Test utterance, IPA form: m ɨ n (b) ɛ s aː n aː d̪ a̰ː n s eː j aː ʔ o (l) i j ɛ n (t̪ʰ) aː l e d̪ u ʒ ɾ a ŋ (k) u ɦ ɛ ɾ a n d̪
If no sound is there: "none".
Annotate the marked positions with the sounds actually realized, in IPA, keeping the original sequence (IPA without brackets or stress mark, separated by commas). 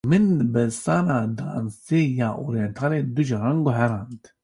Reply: b, ɾ, t̪ʰ, ɡ